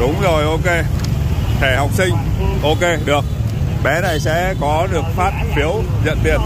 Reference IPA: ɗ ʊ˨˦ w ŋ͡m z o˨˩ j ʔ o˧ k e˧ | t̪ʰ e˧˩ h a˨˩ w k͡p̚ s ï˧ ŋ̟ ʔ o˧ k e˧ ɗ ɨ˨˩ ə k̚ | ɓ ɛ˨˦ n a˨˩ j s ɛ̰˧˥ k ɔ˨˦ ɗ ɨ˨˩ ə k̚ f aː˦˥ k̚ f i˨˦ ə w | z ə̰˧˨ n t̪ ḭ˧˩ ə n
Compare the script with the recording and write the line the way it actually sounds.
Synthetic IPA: ɗ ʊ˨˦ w ŋ͡m z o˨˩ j ʔ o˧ k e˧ | t̪ʰ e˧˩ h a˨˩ w k͡p̚ s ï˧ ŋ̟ ʔ o˧ k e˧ ɗ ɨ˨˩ ə k̚ | ɓ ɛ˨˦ n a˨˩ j s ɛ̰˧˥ k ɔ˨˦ ɗ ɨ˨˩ ə k̚ f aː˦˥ t̚ f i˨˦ ə w | z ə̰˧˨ n t̪ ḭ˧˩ ə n